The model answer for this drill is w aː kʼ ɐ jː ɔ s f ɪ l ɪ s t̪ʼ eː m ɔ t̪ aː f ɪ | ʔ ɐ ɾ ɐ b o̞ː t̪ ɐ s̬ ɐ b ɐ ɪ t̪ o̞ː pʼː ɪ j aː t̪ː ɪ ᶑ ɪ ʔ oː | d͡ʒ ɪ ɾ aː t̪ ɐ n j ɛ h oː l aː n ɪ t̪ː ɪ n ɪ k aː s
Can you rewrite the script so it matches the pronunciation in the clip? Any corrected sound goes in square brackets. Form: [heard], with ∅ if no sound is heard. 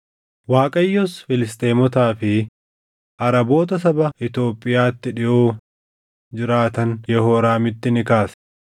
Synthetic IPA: w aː kʼ ɐ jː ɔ s f ɪ l ɪ s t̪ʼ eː m ɔ t̪ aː f ɪ | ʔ ɐ ɾ ɐ b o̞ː t̪ ɐ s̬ ɐ b ɐ ɪ t̪ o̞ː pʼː ɪ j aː t̪ː ɪ ᶑ ɪ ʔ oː | d͡ʒ ɪ ɾ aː t̪ ɐ n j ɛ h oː [ɾ] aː [m] ɪ t̪ː ɪ n ɪ k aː s